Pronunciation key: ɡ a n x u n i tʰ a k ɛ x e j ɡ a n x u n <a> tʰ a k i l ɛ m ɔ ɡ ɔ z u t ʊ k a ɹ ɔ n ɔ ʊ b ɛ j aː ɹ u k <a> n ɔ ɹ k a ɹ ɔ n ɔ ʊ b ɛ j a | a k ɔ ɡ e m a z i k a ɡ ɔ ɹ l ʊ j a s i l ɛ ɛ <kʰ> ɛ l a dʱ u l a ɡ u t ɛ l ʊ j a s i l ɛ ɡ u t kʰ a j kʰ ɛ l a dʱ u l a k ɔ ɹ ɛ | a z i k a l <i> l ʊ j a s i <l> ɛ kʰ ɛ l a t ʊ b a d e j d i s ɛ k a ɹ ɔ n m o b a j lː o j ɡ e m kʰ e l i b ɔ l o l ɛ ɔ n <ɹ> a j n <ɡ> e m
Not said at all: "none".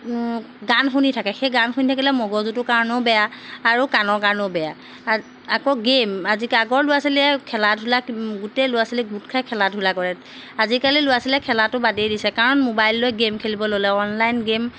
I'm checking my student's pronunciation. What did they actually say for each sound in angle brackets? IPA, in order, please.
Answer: i, a, kʰ, i, l, l, ɡ

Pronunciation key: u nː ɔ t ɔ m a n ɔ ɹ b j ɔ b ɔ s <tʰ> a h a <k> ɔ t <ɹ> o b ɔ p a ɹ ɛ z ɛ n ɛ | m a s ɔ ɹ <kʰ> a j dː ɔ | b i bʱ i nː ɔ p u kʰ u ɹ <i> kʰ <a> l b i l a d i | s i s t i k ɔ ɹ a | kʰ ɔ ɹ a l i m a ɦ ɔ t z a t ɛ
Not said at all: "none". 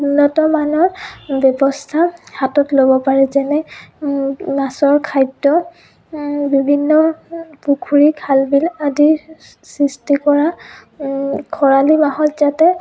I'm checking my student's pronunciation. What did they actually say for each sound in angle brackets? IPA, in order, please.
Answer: tʰ, t, l, kʰ, i, a

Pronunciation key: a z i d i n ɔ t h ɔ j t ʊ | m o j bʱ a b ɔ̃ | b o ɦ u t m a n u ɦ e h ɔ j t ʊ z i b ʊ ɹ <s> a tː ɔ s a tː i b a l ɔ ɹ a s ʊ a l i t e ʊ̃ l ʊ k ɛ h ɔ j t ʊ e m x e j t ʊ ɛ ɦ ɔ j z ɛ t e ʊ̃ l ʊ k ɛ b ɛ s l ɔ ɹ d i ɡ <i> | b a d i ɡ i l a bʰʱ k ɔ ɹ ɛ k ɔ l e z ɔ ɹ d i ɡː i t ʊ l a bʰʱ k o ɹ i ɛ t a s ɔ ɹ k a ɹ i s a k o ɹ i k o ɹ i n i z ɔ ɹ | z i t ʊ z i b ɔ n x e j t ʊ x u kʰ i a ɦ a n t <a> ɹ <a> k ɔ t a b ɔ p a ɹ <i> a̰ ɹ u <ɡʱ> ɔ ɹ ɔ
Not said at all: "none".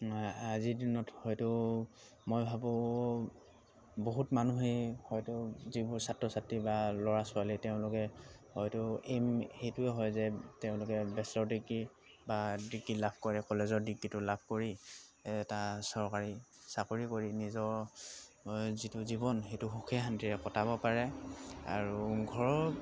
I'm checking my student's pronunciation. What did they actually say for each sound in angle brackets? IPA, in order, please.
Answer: s, i, i, ɛ, ɛ, ɡʱ

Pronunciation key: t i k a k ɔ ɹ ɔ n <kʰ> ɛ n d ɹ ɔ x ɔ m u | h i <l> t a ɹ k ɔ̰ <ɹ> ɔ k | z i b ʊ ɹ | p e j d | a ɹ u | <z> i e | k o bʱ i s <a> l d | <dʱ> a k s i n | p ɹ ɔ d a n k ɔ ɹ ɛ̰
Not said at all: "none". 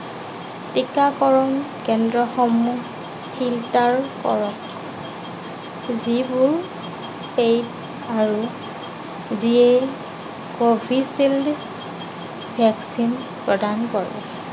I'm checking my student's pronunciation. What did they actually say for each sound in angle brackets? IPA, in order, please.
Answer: k, l, ɹ, z, i, bʱ

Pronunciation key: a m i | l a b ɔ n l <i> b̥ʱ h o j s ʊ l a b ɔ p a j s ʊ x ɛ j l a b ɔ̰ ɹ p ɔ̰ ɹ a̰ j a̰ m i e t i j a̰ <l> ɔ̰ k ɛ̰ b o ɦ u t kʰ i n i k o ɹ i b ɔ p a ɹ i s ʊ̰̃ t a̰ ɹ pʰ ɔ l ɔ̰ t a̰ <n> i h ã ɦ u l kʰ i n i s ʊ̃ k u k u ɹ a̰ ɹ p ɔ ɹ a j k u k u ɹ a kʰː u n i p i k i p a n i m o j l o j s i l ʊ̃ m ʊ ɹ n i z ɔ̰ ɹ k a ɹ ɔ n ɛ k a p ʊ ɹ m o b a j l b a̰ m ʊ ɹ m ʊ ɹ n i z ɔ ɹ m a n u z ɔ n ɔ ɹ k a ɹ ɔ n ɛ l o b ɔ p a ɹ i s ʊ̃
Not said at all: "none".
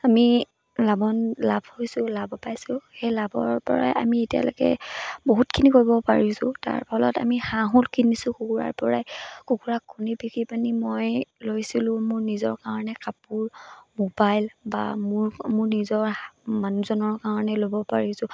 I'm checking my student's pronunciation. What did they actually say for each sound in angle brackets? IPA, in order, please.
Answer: a, l, m

